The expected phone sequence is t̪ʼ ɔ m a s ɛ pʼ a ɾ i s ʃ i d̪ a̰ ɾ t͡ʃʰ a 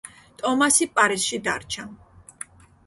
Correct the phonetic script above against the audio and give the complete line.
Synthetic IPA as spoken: t̪ʼ ɔ m a s i pʼ a ɾ i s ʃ i d̪ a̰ ɾ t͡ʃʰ a